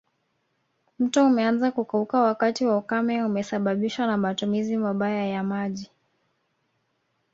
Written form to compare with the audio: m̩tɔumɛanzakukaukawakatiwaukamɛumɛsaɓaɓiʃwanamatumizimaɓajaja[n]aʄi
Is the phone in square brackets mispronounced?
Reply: yes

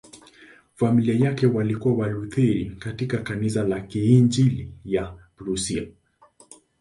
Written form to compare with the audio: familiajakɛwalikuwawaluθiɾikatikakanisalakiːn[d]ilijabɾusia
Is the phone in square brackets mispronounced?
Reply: yes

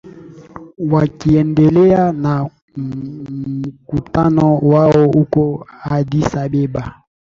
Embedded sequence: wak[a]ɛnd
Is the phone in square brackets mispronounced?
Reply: yes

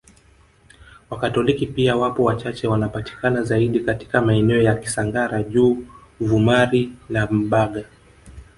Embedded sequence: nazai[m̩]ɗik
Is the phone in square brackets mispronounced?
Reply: yes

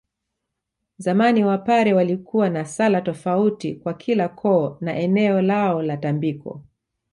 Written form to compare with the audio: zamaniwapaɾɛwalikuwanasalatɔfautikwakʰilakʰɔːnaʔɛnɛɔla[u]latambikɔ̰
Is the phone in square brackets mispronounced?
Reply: yes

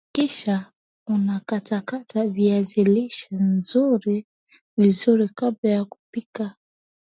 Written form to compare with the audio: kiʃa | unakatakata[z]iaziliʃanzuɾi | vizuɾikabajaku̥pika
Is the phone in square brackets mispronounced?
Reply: yes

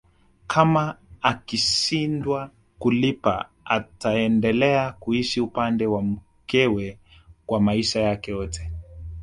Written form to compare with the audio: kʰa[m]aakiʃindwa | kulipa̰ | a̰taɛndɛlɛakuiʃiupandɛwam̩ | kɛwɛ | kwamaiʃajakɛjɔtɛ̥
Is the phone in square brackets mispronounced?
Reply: no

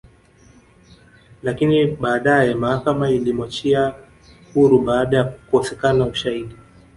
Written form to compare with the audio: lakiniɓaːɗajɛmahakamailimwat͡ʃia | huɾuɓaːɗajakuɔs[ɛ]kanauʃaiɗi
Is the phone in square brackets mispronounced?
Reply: no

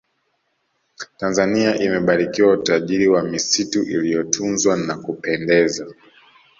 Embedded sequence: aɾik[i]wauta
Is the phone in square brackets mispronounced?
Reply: no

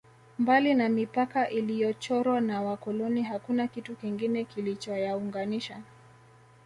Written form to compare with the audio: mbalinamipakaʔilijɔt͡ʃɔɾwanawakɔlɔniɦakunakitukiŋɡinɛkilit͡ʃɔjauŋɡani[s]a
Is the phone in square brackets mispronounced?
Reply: yes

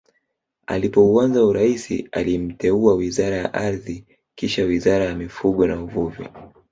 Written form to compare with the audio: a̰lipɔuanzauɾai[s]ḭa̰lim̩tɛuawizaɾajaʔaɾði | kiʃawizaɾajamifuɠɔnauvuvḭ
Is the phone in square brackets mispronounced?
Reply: no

